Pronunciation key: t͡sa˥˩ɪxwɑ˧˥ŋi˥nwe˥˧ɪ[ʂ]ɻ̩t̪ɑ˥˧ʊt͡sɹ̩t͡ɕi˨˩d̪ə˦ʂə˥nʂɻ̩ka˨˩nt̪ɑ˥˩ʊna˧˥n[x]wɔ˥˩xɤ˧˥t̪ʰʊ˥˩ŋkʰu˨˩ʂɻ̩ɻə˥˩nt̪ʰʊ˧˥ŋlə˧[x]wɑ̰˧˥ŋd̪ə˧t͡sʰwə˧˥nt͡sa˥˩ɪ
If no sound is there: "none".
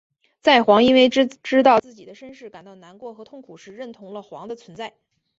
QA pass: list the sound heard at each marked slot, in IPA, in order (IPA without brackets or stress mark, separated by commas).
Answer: ʈ͡ʂ, k, x